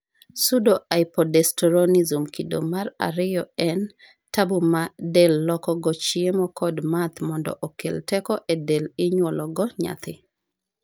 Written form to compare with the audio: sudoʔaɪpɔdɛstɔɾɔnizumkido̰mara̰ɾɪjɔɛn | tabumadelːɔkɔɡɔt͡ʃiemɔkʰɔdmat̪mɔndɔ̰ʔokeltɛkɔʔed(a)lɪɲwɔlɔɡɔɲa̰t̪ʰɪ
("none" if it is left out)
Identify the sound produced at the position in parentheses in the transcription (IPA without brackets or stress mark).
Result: e